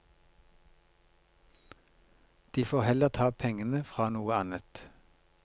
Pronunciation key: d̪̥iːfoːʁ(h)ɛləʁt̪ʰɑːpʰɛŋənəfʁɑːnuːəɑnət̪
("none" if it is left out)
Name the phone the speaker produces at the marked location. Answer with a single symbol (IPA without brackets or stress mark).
h